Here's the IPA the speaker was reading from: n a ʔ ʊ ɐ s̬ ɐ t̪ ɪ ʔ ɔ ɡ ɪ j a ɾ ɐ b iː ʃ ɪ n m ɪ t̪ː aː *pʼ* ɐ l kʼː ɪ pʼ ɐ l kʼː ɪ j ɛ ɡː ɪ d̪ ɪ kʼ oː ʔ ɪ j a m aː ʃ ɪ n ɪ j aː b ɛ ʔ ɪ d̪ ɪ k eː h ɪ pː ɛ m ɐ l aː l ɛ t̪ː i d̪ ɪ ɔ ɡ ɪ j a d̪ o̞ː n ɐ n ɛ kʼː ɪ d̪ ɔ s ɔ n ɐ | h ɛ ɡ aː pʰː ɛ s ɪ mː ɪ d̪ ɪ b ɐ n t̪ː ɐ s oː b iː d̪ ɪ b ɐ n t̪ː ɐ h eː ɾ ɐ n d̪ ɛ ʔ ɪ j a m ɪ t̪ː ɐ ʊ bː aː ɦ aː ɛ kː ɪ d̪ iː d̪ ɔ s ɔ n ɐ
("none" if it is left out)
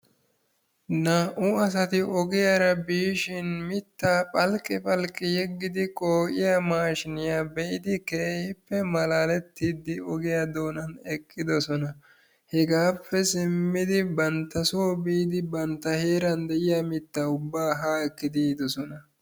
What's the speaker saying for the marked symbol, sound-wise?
pʼ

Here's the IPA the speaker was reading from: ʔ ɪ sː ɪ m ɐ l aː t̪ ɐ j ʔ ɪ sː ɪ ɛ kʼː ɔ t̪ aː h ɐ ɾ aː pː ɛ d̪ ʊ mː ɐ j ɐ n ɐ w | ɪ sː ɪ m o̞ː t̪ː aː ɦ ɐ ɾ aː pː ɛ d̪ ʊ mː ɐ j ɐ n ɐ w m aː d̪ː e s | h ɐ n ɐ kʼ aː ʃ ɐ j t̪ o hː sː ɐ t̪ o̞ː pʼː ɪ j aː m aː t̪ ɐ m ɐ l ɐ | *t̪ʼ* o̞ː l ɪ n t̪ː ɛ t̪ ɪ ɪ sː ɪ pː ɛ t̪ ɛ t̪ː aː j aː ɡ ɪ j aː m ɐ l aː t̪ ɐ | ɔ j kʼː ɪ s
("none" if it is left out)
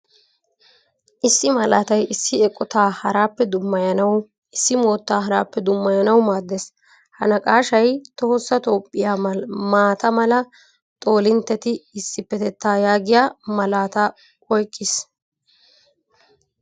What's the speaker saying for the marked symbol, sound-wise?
t̪ʼ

